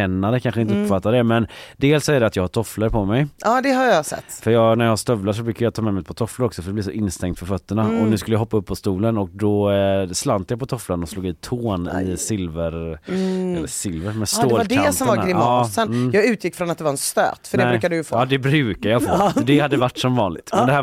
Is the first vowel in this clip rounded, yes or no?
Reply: no